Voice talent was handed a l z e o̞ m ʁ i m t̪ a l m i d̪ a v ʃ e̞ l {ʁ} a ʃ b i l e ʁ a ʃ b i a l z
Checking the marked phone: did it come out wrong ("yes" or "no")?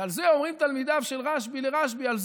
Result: no